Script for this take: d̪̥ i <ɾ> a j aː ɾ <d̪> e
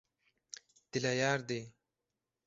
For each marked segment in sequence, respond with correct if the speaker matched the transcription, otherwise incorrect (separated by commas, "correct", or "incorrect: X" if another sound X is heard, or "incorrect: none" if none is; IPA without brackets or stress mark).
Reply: incorrect: l, correct